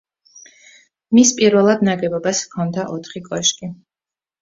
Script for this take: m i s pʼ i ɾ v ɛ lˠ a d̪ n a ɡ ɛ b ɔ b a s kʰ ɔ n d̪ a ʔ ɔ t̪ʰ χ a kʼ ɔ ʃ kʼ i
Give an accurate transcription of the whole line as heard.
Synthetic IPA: m i s pʼ i ɾ v ɛ lˠ a d̪ n a ɡ ɛ b ɔ b a s kʰ ɔ n d̪ a ʔ ɔ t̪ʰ χ i kʼ ɔ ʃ kʼ i